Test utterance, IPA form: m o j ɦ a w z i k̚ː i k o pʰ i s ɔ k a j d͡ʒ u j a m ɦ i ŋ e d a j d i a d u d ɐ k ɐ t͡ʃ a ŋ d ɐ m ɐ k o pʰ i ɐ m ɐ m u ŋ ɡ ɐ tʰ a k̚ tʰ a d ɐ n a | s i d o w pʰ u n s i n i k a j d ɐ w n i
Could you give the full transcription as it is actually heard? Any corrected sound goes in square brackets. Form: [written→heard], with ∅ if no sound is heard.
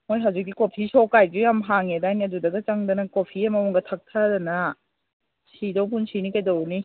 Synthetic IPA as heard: m o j ɦ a w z i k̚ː i k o pʰ i s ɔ k a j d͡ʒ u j a m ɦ [i→a] ŋ e d a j [d→n] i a d u d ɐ [k→ɡ] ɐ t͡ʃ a ŋ d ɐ [m→n] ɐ k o pʰ i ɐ m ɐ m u ŋ ɡ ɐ tʰ a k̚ tʰ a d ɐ n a | s i d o w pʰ u n s i n i k a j d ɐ w n i

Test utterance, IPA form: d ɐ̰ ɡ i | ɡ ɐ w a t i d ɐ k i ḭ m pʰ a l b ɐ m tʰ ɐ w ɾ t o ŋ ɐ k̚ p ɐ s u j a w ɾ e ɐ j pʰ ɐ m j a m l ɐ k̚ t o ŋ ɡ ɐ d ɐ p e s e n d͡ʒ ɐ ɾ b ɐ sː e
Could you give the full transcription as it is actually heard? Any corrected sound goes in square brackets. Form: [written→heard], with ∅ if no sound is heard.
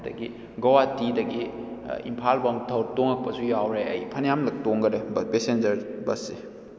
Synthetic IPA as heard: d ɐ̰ ɡ i | ɡ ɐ w a t i d ɐ [k→ɡ] i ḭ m pʰ a l b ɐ m tʰ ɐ w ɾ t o ŋ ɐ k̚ p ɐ s u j a w ɾ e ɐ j pʰ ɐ [m→n] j a m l ɐ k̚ t o ŋ ɡ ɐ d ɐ p e s e n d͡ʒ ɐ ɾ b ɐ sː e

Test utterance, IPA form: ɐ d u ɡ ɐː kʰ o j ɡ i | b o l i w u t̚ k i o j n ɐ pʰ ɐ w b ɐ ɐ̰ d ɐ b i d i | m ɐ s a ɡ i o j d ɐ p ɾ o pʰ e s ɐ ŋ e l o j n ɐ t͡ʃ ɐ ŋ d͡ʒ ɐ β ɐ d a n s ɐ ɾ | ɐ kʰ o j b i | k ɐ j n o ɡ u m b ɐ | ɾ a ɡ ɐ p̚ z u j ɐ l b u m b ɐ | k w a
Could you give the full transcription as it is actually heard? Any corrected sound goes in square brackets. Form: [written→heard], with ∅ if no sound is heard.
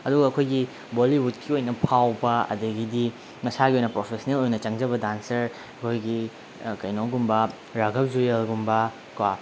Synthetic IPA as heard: ɐ d u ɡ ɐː kʰ o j ɡ i | b o l i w u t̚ k i o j n ɐ pʰ [ɐ→a] w b ɐ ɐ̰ d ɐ [b→ɡ] i d i | m ɐ s a ɡ i o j [d→n] ɐ p ɾ o pʰ e s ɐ [ŋ→n] e l o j n ɐ t͡ʃ ɐ ŋ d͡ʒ ɐ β ɐ d a n s ɐ ɾ | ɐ kʰ o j [b→ɡ] i | k ɐ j n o ɡ u m b ɐ | ɾ a ɡ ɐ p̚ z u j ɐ l [b→ɡ] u m b ɐ | k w a

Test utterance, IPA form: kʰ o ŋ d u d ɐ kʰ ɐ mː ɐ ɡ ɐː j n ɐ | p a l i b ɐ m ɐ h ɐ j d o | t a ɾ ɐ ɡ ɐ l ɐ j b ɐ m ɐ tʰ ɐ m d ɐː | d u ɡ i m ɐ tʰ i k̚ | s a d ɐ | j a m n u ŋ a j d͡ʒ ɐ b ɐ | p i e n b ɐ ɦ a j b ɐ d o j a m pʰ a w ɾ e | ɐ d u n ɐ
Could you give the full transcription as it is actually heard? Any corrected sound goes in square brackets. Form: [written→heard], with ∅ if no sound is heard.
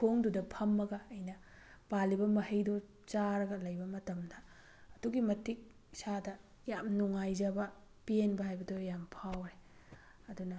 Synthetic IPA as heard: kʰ o ŋ d u d ɐ [kʰ→pʰ] ɐ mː ɐ ɡ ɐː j n ɐ | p a l i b ɐ m ɐ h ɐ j d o | [t→t͡ʃ] a ɾ ɐ ɡ ɐ l ɐ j b ɐ m ɐ [tʰ→t] ɐ m d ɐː | d u ɡ i m ɐ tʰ i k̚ | s a d ɐ | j a m n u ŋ a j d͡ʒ ɐ b ɐ | p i e n b ɐ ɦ a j b ɐ d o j a m pʰ a w ɾ e | ɐ d u n ɐ

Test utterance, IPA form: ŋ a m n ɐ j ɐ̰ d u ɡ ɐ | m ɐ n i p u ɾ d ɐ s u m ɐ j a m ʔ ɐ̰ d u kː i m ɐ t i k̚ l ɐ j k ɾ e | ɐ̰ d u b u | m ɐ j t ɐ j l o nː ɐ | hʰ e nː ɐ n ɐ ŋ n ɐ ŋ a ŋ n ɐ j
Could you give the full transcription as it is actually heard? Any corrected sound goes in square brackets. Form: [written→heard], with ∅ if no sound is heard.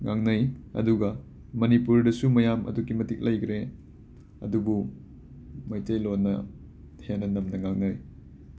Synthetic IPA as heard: ŋ a [m→ŋ] n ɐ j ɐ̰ d u ɡ ɐ | m ɐ n i p u ɾ d ɐ s u m ɐ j a m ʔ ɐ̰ d u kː i m ɐ t i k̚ l ɐ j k ɾ e | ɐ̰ d u b u | m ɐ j t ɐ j l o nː ɐ | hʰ e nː ɐ n ɐ [ŋ→m] n ɐ ŋ a ŋ n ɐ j

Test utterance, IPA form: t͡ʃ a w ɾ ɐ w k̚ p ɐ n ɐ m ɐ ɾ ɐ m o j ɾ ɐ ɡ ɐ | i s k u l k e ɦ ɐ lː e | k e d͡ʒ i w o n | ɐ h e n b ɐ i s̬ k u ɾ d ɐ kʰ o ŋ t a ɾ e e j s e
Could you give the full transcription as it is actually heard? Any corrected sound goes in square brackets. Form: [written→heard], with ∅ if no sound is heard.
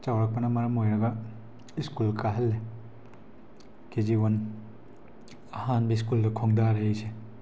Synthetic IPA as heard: t͡ʃ a w ɾ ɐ [w→∅] k̚ p ɐ n ɐ m ɐ ɾ ɐ m o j ɾ ɐ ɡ ɐ | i s k u l k [e→a] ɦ ɐ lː e | k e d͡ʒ i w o n | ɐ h [e→a] n b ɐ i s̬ k u [ɾ→l] d ɐ kʰ o ŋ [t→d] a ɾ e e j s e

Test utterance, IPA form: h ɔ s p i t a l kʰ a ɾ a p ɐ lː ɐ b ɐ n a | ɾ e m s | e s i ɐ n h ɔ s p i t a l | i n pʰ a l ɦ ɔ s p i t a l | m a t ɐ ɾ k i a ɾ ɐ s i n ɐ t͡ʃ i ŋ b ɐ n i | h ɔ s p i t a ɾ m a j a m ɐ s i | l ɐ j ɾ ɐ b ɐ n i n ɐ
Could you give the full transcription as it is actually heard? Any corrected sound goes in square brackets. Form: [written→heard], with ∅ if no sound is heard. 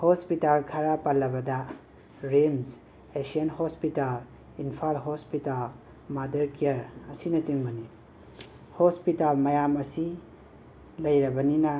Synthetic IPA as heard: h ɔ s p i t a l kʰ a ɾ a p [ɐ→a] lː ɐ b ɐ [n→d] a | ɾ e m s | e s i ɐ n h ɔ s p i t a l | i n pʰ a l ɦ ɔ s p i t a l | m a [t→d] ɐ ɾ k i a ɾ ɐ s i n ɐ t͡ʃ i ŋ b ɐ n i | h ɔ s p i t a [ɾ→l] m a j a m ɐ s i | l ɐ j ɾ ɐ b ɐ n i n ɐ

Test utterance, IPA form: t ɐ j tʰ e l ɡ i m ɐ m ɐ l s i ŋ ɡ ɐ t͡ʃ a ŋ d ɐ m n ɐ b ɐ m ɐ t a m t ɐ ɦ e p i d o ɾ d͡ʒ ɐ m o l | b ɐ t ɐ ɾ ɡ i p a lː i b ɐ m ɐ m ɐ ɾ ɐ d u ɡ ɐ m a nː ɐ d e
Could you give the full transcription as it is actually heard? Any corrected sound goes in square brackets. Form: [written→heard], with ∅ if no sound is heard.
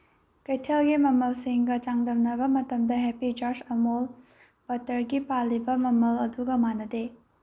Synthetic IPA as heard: [t→k] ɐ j tʰ e l ɡ i m ɐ m ɐ l s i ŋ ɡ ɐ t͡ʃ a ŋ d ɐ m n ɐ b ɐ m ɐ t [a→ɐ] m [t→d] ɐ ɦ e p i [d→d͡ʒ] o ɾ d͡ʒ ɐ m o l | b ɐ t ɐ ɾ ɡ i p a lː i b ɐ m ɐ m ɐ [ɾ→l] ɐ d u ɡ ɐ m a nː ɐ d e

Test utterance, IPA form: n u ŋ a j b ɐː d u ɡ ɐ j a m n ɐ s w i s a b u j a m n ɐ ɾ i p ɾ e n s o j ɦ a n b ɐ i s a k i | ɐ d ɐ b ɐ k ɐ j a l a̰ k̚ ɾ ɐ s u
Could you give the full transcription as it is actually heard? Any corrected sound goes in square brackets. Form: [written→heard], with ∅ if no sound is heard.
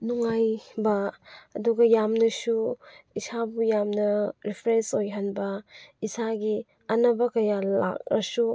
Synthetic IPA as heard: n u ŋ a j b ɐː d u ɡ ɐ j a m n ɐ s [w→u] i s a b u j a m n ɐ ɾ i [p→pʰ] ɾ e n s o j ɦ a n b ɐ i s a [k→ɡ] i | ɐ [d→n] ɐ b ɐ k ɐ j a l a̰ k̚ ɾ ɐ s u

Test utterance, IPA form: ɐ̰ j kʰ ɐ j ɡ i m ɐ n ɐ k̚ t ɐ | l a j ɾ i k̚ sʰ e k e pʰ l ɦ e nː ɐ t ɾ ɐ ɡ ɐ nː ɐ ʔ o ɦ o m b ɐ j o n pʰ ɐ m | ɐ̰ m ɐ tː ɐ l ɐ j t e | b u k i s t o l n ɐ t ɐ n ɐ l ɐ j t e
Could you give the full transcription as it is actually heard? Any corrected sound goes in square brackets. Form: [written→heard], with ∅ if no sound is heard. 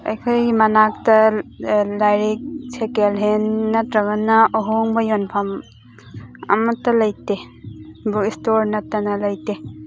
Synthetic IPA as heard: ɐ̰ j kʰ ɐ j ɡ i m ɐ n [ɐ→a] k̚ t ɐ | l a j ɾ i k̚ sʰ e k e [pʰ→∅] l ɦ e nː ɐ t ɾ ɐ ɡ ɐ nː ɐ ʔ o ɦ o [m→ŋ] b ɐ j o n pʰ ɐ m | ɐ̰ m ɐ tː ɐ l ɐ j t e | b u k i s t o [l→ɾ] n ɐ t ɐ n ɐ l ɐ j t e

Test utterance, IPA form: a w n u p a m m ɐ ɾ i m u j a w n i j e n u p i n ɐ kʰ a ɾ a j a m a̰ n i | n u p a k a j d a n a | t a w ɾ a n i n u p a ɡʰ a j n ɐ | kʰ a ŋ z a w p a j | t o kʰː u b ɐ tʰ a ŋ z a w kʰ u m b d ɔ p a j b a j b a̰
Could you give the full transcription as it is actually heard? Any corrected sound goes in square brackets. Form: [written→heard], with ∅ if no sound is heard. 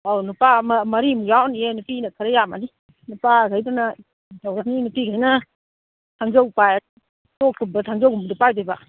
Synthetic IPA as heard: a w n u p a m m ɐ ɾ i m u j a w n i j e n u p i n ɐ kʰ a ɾ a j a m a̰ n i | n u p a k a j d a n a | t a w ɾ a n i n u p [a→i] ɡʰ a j n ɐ | [kʰ→tʰ] a ŋ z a w p a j | t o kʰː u b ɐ tʰ a ŋ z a w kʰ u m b d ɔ p a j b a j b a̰

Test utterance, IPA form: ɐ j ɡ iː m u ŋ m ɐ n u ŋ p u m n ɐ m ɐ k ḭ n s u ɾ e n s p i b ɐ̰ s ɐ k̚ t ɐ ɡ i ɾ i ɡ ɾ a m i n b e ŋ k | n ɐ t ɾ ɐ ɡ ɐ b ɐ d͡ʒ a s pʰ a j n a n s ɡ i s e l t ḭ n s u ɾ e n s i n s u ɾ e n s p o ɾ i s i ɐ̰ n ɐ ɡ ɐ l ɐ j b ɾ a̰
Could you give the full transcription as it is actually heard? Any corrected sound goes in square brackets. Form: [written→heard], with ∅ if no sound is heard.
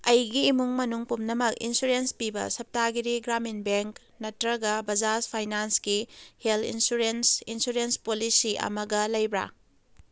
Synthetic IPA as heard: ɐ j ɡ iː m u ŋ m ɐ n u ŋ p u m n ɐ m ɐ k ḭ n s u ɾ e n s p i b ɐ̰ s ɐ [k̚→p̚] t [ɐ→a] ɡ i ɾ i ɡ ɾ a m i n b e ŋ k | n ɐ t ɾ ɐ ɡ ɐ b ɐ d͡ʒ a s pʰ a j n a n s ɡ i [s→h] e l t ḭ n s u ɾ e n s i n s u ɾ e n s p o [ɾ→l] i s i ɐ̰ [n→m] ɐ ɡ ɐ l ɐ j b ɾ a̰

